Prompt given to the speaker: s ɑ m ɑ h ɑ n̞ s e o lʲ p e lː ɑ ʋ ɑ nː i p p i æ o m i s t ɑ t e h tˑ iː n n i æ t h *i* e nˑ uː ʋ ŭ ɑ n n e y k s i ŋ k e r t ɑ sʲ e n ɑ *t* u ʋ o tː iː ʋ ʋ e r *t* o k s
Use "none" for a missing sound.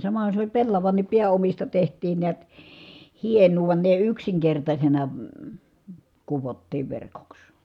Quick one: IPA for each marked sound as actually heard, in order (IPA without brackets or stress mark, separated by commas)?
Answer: i, k, k